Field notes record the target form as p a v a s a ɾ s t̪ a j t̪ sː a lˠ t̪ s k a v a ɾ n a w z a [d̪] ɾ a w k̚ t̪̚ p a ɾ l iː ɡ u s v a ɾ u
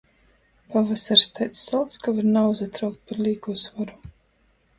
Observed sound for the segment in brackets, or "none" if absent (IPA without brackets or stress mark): t̪